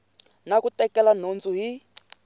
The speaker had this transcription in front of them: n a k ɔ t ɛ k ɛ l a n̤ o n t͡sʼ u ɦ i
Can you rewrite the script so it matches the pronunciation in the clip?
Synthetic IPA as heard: n a k u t ɛ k ɛ l a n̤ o n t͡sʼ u ɦ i